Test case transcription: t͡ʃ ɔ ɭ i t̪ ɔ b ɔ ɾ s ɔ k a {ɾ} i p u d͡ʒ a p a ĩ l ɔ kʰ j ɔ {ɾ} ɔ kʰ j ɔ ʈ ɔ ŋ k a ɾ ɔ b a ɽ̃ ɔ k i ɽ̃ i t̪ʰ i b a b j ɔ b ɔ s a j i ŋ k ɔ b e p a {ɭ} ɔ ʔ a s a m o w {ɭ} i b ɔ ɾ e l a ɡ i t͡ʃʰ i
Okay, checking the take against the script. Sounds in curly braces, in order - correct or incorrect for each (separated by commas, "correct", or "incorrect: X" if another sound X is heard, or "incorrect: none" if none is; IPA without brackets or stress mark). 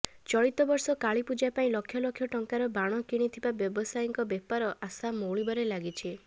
incorrect: ɭ, incorrect: l, incorrect: ɾ, correct